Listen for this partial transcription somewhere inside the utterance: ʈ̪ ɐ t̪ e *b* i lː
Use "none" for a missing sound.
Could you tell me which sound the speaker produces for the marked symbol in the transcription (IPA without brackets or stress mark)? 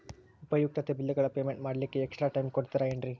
b